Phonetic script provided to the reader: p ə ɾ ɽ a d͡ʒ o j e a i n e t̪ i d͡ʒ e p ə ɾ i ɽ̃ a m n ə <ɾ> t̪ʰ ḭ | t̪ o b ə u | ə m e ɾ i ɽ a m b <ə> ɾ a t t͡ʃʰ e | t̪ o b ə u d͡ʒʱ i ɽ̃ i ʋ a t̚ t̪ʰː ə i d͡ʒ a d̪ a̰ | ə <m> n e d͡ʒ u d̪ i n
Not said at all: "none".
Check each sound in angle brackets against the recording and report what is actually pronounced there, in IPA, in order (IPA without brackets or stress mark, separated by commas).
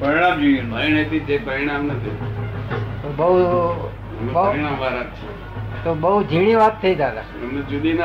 none, a, m